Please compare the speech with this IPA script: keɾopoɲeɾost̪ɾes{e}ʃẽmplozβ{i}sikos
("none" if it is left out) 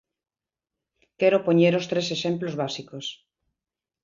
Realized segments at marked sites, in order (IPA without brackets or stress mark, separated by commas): e, a